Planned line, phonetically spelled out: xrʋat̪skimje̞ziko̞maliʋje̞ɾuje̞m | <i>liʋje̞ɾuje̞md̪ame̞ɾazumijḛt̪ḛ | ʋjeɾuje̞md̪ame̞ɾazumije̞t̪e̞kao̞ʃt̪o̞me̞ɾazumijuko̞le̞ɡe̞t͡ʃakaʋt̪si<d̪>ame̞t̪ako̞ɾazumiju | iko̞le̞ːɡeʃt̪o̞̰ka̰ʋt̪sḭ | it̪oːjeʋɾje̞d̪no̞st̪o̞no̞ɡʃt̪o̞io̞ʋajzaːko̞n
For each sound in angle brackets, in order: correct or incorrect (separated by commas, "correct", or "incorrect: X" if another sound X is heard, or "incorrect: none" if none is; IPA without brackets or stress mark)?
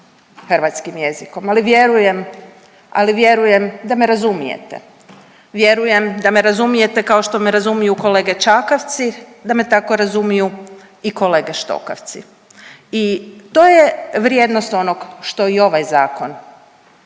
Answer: incorrect: a, correct